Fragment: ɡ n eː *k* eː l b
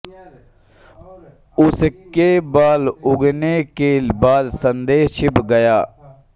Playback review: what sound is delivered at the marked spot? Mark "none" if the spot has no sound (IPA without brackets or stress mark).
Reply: k